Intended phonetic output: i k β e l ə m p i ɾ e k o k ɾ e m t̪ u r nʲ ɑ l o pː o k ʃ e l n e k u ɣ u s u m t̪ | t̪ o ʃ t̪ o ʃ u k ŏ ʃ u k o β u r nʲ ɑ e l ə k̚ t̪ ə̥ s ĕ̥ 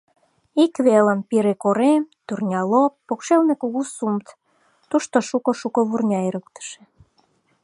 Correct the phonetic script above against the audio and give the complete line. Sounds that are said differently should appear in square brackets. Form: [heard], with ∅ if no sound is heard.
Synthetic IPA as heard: i k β e l ə m p i ɾ e k o [∅] ɾ e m t̪ u r nʲ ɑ l o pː o k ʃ e l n e k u ɣ u s u m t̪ | t̪ [u] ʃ t̪ o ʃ u k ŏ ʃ u k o β u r nʲ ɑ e [ɾ] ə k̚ t̪ ə̥ [ʃ] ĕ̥